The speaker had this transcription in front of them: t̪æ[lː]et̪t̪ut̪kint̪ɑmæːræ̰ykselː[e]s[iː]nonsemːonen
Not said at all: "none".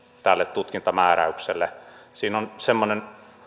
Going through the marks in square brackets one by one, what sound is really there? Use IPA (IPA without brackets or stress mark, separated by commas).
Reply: lː, e, iː